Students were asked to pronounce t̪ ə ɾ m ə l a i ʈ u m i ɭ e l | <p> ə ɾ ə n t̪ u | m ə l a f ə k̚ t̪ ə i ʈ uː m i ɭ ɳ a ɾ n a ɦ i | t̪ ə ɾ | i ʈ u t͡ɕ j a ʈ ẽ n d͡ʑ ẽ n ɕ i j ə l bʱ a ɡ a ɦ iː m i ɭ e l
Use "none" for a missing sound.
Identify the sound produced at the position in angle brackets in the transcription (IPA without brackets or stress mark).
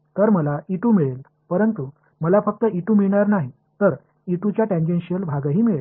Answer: p